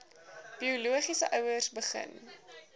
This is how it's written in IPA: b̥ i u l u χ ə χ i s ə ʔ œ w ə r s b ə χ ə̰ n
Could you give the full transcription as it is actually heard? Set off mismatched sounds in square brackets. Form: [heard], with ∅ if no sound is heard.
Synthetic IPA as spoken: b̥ i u l u [∅] ə χ i s ə ʔ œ w ə r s b ə χ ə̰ n